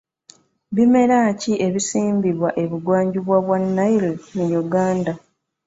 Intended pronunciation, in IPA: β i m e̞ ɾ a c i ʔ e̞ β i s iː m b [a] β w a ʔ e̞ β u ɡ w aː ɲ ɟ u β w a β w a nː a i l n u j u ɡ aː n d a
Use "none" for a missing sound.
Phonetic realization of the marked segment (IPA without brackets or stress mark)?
i